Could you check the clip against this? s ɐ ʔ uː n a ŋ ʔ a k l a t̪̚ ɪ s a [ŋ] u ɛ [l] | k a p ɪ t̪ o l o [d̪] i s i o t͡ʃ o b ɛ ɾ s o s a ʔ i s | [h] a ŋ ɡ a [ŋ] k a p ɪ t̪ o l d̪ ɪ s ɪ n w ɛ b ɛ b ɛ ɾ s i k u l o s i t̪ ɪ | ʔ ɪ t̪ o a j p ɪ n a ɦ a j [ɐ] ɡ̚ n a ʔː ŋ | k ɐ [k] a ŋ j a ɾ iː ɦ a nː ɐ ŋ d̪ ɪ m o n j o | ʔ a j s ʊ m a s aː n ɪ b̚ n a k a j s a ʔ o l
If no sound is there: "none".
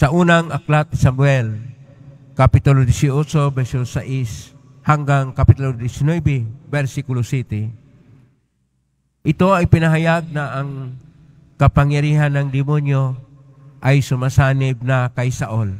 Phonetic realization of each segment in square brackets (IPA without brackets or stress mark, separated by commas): m, l, d̪, h, ŋ, a, p